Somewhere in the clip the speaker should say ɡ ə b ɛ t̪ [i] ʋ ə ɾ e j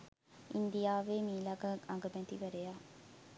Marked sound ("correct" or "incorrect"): correct